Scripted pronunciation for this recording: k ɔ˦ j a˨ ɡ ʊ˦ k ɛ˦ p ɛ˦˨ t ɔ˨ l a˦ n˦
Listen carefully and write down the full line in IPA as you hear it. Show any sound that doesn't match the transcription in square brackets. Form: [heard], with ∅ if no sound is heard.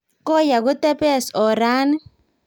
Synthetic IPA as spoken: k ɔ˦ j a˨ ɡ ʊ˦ [t] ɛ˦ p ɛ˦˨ [s] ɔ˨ [ɾ] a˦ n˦